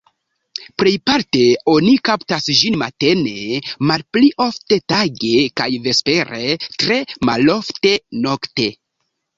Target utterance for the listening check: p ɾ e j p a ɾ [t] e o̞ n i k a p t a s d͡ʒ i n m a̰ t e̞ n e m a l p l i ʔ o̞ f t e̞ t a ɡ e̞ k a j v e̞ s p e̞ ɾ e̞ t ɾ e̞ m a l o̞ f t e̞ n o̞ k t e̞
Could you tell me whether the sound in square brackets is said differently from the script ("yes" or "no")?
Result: no